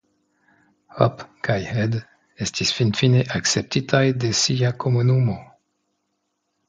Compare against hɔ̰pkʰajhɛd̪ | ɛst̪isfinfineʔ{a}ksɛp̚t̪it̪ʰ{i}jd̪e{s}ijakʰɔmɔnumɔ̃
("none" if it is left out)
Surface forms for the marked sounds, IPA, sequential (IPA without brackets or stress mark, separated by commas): a, a, s